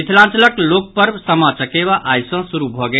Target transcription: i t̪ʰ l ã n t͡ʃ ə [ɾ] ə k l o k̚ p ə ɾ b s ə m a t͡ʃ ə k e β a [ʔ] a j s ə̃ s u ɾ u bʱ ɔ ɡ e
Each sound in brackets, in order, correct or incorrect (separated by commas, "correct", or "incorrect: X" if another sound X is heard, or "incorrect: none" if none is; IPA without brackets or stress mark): incorrect: l, correct